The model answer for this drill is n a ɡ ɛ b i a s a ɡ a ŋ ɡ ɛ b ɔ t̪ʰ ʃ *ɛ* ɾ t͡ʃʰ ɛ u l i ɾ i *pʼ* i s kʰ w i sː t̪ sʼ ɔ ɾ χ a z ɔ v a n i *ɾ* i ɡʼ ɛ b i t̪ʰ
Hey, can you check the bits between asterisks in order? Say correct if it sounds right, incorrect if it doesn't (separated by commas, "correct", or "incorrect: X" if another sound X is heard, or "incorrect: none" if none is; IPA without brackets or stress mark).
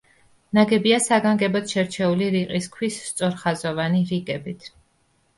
correct, incorrect: qʼ, correct